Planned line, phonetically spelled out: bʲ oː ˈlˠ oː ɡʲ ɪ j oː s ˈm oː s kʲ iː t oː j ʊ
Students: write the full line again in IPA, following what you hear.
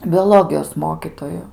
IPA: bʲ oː ˈlˠ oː ɡʲ ɪ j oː s ˈm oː kʲ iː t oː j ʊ